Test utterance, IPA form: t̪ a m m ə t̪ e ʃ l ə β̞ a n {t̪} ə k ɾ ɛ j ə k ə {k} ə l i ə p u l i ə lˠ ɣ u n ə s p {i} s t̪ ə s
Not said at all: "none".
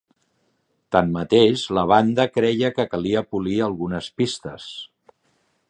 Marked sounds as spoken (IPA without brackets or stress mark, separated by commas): d̪, k, i